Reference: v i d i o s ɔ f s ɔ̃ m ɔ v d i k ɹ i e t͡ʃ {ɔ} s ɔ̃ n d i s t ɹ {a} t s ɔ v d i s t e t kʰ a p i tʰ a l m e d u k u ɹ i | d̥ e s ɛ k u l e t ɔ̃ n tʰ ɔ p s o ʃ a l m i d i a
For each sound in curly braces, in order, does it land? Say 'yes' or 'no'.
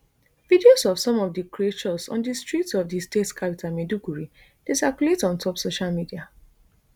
yes, no

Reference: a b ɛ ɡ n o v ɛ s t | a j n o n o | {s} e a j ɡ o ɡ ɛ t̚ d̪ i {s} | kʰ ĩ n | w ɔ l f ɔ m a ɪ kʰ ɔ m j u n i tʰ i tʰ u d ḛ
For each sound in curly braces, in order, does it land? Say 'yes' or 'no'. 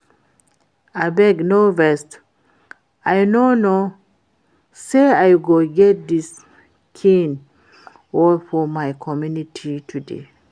yes, yes

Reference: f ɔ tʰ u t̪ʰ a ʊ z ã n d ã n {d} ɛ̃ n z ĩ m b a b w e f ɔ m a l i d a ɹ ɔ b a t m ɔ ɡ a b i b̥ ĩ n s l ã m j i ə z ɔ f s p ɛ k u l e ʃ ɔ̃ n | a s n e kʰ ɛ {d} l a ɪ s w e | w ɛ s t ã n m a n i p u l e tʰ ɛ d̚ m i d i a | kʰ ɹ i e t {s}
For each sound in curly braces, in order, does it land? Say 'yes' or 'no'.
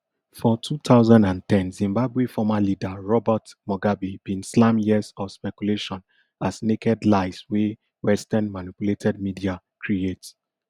no, yes, yes

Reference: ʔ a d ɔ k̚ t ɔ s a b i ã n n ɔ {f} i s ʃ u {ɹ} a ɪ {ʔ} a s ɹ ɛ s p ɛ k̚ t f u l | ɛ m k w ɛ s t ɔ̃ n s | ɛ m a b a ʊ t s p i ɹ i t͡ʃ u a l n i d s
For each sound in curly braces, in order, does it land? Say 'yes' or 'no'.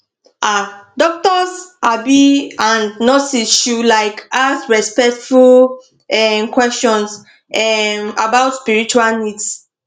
no, no, no

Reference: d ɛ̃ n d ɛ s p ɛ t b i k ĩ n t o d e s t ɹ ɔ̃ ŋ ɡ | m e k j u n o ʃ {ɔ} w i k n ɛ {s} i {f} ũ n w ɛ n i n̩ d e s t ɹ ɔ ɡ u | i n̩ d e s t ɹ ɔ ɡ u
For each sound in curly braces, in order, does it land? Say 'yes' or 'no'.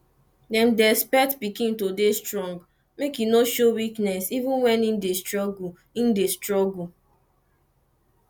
no, yes, no

